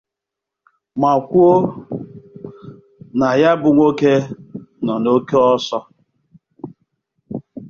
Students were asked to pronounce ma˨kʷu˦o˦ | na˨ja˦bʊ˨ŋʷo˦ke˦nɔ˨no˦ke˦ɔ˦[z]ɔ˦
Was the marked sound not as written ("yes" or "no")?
yes